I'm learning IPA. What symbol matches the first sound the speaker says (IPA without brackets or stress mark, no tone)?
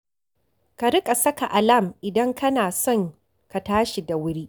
k